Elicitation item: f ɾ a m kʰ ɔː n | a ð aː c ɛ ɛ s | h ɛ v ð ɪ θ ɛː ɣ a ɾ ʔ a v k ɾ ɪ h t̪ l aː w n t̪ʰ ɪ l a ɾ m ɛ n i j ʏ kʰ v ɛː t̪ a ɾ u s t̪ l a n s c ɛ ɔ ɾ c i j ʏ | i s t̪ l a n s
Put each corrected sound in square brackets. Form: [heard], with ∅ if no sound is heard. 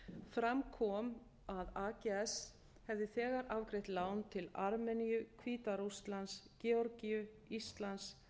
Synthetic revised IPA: f ɾ a m kʰ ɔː [m] | a ð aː c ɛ ɛ s | h ɛ v ð ɪ θ ɛː ɣ a ɾ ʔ a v k ɾ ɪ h t̪ l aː w n t̪ʰ ɪ l a ɾ m ɛ n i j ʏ kʰ v [iː] t̪ a ɾ u s t̪ l a n s c ɛ ɔ ɾ c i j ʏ | i s t̪ l a n s